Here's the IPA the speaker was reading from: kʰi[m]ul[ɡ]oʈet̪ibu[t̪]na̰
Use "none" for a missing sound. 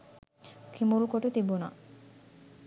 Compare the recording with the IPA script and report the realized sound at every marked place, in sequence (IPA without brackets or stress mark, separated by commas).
m, k, none